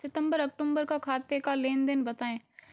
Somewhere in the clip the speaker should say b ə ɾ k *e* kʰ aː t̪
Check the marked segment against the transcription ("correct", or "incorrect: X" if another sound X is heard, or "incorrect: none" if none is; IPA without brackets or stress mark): incorrect: a